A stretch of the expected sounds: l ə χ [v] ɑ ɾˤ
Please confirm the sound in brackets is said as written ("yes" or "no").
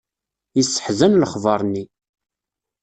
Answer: yes